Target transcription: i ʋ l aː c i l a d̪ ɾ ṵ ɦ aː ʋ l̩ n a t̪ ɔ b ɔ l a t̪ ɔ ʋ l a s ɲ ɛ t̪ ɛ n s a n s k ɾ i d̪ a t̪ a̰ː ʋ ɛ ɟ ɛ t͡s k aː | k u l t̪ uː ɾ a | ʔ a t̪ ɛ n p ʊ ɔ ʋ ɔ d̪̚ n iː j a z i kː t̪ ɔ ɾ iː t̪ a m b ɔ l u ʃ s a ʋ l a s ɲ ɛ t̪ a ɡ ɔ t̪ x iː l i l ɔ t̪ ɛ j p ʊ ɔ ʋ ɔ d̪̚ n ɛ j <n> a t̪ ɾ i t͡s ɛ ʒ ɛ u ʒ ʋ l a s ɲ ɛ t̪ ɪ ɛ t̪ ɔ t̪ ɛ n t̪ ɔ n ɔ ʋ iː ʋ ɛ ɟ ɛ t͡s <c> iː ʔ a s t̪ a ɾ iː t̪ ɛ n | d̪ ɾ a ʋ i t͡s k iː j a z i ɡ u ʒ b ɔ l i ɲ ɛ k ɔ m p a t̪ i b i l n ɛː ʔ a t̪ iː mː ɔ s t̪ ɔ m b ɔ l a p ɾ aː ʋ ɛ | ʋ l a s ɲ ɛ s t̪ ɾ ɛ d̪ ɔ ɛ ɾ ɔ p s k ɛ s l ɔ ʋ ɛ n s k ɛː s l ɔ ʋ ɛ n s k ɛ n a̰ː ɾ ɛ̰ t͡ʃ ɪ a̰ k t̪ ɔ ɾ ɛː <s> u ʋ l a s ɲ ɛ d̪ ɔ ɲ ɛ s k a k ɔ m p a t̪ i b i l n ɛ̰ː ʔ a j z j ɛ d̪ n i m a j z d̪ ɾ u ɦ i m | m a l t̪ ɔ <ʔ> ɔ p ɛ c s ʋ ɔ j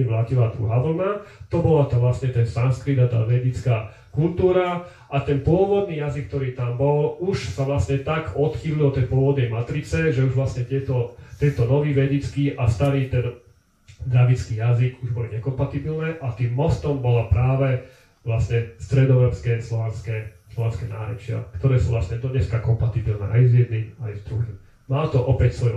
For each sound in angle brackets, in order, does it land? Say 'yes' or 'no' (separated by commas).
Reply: no, no, yes, yes